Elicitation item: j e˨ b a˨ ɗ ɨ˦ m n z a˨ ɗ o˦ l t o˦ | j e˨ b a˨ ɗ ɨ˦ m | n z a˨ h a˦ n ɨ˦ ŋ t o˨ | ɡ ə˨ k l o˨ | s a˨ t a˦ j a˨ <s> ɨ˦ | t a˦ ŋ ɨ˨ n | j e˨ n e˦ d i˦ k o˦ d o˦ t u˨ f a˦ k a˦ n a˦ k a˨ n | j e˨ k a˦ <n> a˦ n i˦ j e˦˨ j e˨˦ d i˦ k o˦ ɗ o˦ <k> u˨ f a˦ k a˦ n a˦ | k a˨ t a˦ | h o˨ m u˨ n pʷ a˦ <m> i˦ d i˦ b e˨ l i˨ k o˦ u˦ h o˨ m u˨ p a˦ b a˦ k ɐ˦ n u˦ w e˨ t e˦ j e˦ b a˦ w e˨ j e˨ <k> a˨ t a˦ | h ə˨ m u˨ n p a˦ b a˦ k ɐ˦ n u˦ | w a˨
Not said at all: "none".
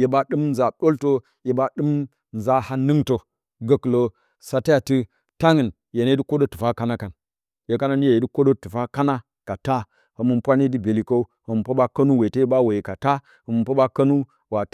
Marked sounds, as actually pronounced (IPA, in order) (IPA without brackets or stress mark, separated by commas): t, n, t, n, k